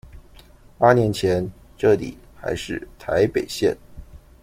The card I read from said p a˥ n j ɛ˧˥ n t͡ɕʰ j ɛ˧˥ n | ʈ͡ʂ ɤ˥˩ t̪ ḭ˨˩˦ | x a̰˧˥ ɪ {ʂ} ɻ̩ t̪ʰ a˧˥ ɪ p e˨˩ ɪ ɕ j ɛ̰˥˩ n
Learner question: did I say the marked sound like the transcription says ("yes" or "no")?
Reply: yes